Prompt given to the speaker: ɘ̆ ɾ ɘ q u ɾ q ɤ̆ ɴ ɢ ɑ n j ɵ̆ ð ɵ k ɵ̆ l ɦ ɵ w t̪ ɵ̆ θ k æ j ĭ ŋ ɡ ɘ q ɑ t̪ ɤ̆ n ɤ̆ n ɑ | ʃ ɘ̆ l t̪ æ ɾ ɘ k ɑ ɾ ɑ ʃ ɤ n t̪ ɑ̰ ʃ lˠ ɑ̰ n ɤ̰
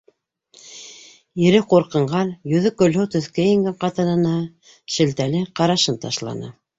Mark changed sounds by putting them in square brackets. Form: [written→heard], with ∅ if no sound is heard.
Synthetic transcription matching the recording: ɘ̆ ɾ ɘ q u ɾ q ɤ̆ ɴ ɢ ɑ n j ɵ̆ ð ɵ k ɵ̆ l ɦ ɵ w t̪ ɵ̆ θ k æ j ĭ ŋ ɡ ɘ q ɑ t̪ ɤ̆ n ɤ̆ n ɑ | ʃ ɘ̆ l t̪ æ [ɾ→l] ɘ [k→q] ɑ ɾ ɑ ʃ ɤ n t̪ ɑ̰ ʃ lˠ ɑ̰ n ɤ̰

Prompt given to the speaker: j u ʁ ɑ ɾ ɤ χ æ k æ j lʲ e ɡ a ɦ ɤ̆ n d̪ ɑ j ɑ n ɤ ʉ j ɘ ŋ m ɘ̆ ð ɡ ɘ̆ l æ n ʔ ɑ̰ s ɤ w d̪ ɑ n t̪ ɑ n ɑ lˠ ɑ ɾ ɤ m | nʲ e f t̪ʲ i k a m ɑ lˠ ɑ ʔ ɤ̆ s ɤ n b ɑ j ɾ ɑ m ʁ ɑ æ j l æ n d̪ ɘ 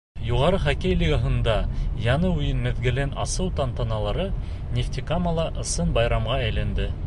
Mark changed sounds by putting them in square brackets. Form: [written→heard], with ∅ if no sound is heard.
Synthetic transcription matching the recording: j u ʁ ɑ ɾ ɤ χ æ k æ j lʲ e ɡ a ɦ ɤ̆ n d̪ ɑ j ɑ n ɤ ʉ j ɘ [ŋ→n] m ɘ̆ ð ɡ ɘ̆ l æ n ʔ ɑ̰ s ɤ w [d̪→t̪] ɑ n t̪ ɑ n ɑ lˠ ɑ ɾ ɤ [m→∅] | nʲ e f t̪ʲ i k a m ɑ lˠ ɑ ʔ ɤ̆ s ɤ n b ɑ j ɾ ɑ m ʁ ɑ æ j l æ n d̪ ɘ

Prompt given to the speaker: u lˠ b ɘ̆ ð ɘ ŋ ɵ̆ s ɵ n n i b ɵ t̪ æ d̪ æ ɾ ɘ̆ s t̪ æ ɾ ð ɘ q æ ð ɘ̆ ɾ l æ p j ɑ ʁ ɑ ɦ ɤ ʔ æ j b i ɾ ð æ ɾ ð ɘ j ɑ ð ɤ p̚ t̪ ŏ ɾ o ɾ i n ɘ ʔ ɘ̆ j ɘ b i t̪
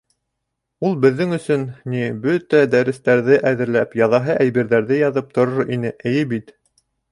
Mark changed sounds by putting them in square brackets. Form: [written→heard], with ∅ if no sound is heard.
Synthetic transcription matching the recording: u lˠ b ɘ̆ [ð→ðː] ɘ ŋ ɵ̆ s ɵ n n i b ɵ t̪ æ d̪ æ ɾ ɘ̆ s t̪ æ ɾ ð ɘ [q→ʔ] æ ð ɘ̆ ɾ l æ p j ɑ [ʁ→ð] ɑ ɦ ɤ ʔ æ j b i ɾ ð æ ɾ ð ɘ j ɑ ð ɤ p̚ t̪ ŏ ɾ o ɾ i n ɘ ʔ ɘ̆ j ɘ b i t̪

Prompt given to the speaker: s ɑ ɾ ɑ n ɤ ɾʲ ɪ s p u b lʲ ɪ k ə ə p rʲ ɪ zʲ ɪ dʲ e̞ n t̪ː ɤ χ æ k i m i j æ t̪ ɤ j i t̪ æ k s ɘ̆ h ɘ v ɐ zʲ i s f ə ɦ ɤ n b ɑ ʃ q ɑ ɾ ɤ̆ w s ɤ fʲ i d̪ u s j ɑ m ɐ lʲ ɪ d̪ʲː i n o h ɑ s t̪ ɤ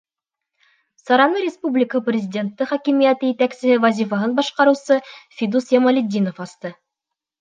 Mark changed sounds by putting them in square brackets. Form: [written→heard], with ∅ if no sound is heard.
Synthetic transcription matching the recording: s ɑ ɾ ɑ n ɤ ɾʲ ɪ s p u b lʲ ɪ k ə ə p rʲ ɪ zʲ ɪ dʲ e̞ n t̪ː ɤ χ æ k i m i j æ t̪ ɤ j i t̪ æ k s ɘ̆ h ɘ v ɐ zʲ i [s→∅] f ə ɦ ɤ n b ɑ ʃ q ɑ ɾ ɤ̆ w s ɤ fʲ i d̪ u s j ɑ m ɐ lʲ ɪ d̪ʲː i n o [h→f] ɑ s t̪ ɤ

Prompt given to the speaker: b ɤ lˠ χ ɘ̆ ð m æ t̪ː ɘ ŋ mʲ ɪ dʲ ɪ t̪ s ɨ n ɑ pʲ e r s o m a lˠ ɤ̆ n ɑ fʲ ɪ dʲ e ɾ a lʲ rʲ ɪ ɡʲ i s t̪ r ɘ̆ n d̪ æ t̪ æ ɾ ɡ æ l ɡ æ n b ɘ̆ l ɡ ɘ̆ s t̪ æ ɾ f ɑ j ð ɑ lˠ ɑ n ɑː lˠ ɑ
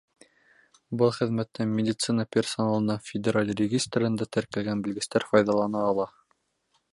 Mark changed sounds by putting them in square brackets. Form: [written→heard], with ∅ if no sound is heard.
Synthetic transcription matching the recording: b ɤ lˠ χ ɘ̆ ð m æ t̪ː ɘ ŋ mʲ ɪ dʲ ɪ t̪ s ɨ n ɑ pʲ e r s o [m→n] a lˠ ɤ̆ n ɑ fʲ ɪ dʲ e ɾ a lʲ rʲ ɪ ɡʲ i s t̪ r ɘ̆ n d̪ æ t̪ æ ɾ [ɡ→k] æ l ɡ æ n b ɘ̆ l ɡ ɘ̆ s t̪ æ ɾ f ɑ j ð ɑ lˠ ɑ n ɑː lˠ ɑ

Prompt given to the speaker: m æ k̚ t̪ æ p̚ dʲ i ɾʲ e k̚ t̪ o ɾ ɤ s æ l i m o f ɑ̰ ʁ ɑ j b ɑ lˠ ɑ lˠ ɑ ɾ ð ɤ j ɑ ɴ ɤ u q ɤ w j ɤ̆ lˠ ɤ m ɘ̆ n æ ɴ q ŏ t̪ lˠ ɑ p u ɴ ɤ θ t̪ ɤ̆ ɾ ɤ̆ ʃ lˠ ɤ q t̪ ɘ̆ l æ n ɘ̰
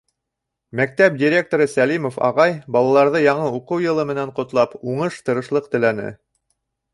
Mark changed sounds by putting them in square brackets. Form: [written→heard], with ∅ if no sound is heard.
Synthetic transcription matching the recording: m æ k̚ t̪ æ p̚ dʲ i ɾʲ e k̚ t̪ o ɾ ɤ s æ l i m o f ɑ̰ ʁ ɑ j b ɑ lˠ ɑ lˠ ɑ ɾ ð ɤ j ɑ ɴ ɤ u q ɤ w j ɤ̆ lˠ ɤ m ɘ̆ n æ ɴ q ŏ t̪ lˠ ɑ p u ɴ ɤ [θ→ʃ] t̪ ɤ̆ ɾ ɤ̆ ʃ lˠ ɤ q t̪ ɘ̆ l æ n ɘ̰

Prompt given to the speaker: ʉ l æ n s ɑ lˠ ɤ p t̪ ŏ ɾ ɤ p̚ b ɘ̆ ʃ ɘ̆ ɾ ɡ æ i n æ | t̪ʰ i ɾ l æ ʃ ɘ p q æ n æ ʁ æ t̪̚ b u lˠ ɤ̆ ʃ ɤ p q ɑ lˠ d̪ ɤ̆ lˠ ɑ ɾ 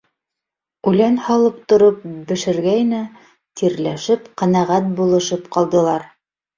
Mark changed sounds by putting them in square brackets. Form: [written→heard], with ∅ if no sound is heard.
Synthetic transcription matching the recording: ʉ l æ n [s→h] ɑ lˠ ɤ p t̪ ŏ ɾ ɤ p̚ b ɘ̆ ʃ ɘ̆ ɾ ɡ æ [i→j] n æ | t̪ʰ i ɾ l æ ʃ ɘ p q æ n æ ʁ æ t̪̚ b u lˠ ɤ̆ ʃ ɤ p q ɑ lˠ d̪ ɤ̆ lˠ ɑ ɾ

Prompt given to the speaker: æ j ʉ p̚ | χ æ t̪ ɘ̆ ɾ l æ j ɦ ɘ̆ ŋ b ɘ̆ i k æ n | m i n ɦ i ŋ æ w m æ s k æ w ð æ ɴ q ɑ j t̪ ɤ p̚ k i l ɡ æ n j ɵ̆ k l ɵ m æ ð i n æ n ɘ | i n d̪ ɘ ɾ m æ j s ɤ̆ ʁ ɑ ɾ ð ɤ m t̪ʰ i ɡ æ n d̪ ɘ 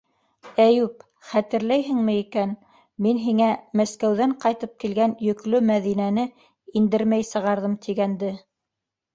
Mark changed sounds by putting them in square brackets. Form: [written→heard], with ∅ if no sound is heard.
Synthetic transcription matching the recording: æ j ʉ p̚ | χ æ t̪ ɘ̆ ɾ l æ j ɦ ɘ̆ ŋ [b→m] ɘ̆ i k æ n | m i n ɦ i ŋ æ [w→∅] m æ s k æ w ð æ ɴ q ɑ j t̪ ɤ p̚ k i l ɡ æ n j ɵ̆ k l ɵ m æ ð i n æ n ɘ | i n d̪ ɘ ɾ m æ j s ɤ̆ ʁ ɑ ɾ ð ɤ m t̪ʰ i ɡ æ n d̪ ɘ

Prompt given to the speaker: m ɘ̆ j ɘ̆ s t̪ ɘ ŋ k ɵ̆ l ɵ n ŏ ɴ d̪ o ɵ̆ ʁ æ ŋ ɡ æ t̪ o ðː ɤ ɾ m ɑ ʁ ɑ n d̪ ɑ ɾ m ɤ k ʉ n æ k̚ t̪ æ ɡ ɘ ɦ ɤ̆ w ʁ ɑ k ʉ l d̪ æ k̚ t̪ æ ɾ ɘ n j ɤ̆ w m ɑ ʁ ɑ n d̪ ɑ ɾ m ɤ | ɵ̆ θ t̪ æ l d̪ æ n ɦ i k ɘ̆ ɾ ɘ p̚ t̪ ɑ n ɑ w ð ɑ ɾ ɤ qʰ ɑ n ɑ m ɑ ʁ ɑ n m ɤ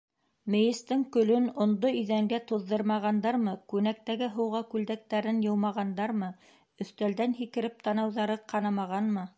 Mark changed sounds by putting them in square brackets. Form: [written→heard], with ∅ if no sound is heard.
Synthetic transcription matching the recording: m ɘ̆ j ɘ̆ s t̪ ɘ ŋ k ɵ̆ l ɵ n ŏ [ɴ→n] d̪ o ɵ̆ [ʁ→ð] æ ŋ ɡ æ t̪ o ðː ɤ ɾ m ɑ ʁ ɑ n d̪ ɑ ɾ m ɤ k ʉ n æ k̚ t̪ æ ɡ ɘ ɦ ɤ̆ w ʁ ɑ k ʉ l d̪ æ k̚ t̪ æ ɾ ɘ n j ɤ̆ w m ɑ ʁ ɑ n d̪ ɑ ɾ m ɤ | ɵ̆ θ t̪ æ l d̪ æ n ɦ i k ɘ̆ ɾ ɘ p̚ t̪ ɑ n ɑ w ð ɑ ɾ ɤ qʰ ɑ n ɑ m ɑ ʁ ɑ n m ɤ

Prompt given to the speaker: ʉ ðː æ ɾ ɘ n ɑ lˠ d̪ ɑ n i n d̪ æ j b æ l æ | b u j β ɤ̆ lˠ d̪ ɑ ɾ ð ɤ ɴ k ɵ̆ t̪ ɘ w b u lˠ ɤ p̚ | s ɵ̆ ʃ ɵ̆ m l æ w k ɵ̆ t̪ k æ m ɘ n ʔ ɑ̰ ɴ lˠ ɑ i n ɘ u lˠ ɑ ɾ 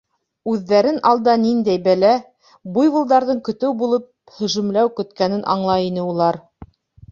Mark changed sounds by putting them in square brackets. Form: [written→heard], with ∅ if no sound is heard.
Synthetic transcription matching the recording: ʉ ðː æ ɾ ɘ n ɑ lˠ d̪ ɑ n i n d̪ æ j b æ l æ | b u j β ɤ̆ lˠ d̪ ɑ ɾ ð ɤ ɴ k ɵ̆ t̪ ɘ w b u lˠ ɤ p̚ | [s→h] ɵ̆ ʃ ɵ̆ m l æ w k ɵ̆ t̪ k æ [m→n] ɘ n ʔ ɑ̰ ɴ lˠ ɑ i n ɘ u lˠ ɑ ɾ

